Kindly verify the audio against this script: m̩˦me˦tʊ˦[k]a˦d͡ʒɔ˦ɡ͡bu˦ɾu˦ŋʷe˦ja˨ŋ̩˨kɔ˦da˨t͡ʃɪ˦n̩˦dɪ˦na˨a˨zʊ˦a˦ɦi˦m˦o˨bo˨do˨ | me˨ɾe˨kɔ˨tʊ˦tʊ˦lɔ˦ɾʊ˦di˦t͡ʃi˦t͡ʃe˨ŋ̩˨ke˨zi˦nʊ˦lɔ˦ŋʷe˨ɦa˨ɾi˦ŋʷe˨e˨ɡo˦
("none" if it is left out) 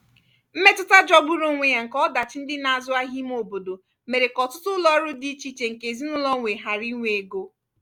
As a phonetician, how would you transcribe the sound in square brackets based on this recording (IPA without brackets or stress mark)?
t